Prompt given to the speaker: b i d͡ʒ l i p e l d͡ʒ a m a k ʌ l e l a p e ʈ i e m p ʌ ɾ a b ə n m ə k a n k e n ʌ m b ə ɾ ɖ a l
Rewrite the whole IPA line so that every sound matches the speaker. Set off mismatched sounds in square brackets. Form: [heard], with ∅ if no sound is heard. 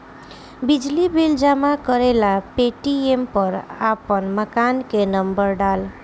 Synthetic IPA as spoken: b i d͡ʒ l i [b] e l d͡ʒ a m a k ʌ [ɾ] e l a p e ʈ i e m p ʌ ɾ a [p] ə n m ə k a n k e n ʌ m b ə ɾ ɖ a l